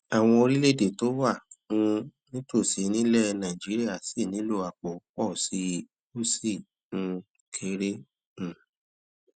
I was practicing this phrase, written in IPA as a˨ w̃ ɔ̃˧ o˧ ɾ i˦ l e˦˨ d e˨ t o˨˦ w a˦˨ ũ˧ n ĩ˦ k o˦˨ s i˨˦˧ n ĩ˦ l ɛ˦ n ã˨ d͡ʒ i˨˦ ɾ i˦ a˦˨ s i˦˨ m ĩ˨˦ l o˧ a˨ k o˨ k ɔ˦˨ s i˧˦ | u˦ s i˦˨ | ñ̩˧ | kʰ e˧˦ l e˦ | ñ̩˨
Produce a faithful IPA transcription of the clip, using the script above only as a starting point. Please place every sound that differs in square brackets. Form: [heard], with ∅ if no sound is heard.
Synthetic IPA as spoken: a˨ w̃ ɔ̃˧ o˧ ɾ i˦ l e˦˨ d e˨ t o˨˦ w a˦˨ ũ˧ n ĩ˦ [t] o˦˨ s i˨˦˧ n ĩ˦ l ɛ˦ n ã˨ d͡ʒ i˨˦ ɾ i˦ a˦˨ s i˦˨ [n] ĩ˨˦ l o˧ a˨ [k͡p] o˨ [k͡p] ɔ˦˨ s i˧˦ | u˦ s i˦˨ | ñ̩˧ | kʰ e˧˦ [ɾ] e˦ | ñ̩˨